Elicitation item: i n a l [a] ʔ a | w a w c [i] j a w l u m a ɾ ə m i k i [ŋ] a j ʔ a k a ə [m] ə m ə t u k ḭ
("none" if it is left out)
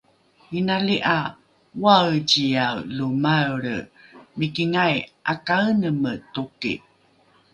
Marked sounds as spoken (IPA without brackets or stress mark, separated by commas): i, i, ŋ, n